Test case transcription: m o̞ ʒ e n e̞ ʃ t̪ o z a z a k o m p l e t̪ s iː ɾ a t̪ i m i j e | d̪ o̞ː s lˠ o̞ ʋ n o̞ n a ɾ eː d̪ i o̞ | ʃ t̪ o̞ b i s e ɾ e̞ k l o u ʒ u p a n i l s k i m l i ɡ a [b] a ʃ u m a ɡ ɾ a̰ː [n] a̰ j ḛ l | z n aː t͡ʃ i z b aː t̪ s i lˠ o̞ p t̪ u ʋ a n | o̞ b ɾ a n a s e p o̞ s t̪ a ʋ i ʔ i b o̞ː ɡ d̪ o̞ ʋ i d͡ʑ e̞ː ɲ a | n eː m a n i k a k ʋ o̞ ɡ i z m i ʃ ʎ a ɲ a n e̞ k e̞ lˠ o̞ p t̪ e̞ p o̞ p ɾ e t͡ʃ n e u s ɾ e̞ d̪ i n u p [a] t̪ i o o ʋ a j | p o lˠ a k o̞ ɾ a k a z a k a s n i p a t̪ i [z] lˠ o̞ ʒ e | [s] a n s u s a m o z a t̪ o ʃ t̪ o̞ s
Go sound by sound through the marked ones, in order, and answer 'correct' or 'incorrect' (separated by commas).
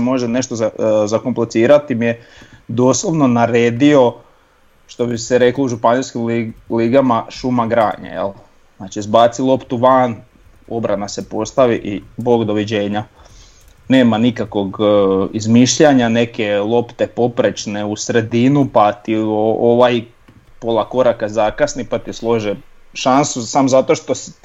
incorrect, incorrect, correct, incorrect, incorrect